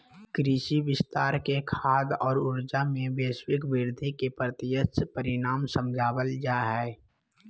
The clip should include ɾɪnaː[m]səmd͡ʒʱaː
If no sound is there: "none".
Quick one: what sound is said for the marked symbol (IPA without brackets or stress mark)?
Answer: m